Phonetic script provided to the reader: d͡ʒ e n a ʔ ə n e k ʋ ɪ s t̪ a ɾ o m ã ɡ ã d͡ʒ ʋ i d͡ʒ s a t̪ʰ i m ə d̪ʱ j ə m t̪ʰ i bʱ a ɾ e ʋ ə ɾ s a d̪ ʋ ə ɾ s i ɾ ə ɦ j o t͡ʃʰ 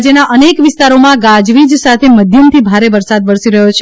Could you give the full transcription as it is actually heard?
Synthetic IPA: d͡ʒ e n a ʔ ə n e k ʋ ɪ s t̪ a ɾ o m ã ɡ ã d͡ʒ ʋ i d͡ʒ s a t̪ʰ e m ə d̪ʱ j ə m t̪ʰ i bʱ a ɾ e ʋ ə ɾ s a d̪ ʋ ə ɾ s i ɾ ə ɦ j o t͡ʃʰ